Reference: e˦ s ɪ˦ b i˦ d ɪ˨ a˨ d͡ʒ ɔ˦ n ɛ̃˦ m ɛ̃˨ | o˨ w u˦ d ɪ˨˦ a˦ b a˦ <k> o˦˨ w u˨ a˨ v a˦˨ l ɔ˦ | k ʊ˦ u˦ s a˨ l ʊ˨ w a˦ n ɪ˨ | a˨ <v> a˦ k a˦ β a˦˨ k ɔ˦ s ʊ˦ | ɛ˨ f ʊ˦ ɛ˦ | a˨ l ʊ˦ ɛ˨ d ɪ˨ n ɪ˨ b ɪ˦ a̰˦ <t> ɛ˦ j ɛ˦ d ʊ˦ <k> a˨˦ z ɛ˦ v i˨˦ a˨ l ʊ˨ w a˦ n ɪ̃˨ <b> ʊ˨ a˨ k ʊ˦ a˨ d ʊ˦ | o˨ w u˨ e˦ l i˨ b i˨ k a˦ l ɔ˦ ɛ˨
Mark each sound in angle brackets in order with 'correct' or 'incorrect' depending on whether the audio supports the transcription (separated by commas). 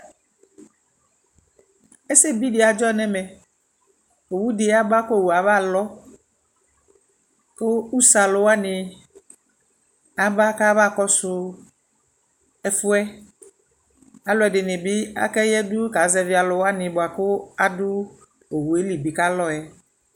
correct, incorrect, incorrect, correct, correct